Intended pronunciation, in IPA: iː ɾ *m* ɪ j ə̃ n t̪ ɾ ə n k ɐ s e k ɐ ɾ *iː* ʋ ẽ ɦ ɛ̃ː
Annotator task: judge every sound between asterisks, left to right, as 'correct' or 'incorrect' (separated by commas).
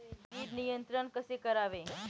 incorrect, incorrect